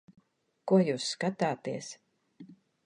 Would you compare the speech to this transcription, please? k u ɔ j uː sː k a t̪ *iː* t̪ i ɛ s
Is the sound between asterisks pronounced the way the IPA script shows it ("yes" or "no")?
no